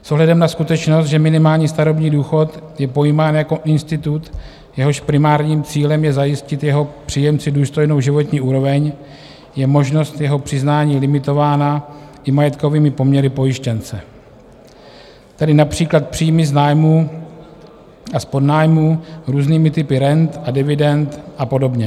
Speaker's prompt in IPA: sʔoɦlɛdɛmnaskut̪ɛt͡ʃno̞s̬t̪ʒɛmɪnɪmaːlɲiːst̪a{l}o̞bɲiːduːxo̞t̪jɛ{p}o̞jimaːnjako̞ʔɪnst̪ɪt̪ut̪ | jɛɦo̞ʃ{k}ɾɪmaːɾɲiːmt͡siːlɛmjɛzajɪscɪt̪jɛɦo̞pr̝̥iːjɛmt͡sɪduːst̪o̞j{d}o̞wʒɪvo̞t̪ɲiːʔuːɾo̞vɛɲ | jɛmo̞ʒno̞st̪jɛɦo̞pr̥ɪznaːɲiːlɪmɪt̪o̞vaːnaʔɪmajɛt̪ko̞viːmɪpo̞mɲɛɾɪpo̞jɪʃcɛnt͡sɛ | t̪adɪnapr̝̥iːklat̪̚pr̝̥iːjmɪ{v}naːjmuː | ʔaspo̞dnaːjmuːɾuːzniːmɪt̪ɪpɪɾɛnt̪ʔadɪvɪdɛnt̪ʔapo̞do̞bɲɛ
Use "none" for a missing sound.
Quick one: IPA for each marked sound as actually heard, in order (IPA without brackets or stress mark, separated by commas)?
ɾ, p, p, n, z